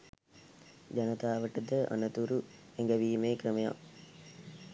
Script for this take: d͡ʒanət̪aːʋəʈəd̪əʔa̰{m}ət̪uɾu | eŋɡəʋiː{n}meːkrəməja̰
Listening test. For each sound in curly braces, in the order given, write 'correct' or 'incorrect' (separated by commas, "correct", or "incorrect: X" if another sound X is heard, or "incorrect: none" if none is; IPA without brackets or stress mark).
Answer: incorrect: n, incorrect: none